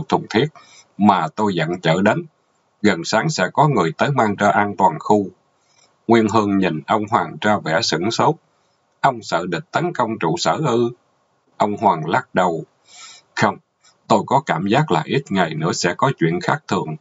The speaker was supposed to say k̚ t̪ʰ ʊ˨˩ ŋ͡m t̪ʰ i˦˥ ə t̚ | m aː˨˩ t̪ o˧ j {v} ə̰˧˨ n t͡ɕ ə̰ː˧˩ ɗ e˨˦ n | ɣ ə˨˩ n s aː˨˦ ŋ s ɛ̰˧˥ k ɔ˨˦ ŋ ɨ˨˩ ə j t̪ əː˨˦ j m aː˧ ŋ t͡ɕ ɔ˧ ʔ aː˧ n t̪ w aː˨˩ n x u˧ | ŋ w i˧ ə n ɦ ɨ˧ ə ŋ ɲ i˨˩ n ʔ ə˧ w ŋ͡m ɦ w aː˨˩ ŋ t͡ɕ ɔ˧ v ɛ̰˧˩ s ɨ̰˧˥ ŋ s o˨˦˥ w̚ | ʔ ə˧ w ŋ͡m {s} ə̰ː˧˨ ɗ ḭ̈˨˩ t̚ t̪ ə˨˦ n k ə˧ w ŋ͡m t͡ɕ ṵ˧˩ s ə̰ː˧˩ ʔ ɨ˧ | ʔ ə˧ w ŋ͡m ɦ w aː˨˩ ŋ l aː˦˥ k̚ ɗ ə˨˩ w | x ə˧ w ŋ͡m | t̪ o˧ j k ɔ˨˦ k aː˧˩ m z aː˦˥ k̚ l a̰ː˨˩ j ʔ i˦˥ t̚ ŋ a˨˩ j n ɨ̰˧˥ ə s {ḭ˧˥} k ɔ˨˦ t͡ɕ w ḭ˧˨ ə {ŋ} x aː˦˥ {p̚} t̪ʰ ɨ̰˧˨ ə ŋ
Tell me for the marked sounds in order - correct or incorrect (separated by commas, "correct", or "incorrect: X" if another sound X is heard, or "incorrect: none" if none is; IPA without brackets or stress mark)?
incorrect: z, correct, incorrect: ɛ̰˧˥, incorrect: n, incorrect: k̚